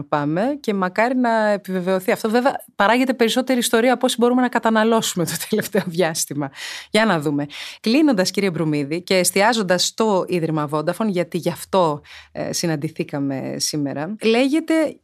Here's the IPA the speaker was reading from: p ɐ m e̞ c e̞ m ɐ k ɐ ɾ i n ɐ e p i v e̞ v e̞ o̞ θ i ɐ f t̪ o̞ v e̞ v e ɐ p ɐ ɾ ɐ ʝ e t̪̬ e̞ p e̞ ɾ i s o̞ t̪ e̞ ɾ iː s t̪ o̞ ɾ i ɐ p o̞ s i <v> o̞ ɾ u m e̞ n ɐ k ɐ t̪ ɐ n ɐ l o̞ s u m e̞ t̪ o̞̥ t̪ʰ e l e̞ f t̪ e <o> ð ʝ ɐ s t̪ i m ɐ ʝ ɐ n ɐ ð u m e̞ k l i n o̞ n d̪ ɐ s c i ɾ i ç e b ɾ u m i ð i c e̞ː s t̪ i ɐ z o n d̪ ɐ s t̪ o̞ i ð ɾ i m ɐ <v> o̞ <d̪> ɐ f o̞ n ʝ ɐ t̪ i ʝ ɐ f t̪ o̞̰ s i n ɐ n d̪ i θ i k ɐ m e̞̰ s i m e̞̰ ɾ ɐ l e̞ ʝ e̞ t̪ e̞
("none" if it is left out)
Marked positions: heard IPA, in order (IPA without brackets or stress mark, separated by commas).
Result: b, o, v, d̪